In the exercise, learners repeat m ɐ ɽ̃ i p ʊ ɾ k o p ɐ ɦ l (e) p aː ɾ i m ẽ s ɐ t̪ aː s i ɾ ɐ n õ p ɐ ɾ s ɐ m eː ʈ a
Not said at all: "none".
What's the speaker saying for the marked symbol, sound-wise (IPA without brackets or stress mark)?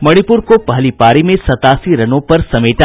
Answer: i